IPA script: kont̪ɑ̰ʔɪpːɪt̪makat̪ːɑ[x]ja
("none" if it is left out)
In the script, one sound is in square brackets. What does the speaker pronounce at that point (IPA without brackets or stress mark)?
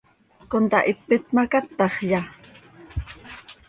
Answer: χ